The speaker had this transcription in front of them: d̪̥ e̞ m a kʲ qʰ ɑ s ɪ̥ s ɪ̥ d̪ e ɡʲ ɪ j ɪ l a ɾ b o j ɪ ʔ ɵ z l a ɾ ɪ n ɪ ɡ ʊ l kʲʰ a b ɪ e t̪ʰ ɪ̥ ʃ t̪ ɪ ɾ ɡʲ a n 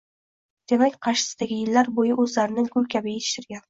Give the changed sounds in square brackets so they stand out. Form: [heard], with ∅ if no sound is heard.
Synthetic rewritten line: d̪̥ e̞ m a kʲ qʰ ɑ [ʃ] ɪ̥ s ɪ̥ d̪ [a] ɡʲ ɪ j ɪ [lː] a ɾ b o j ɪ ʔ ɵ z l a ɾ ɪ n ɪ ɡ ʊ l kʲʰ a b ɪ e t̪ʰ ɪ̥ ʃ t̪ ɪ ɾ ɡʲ a n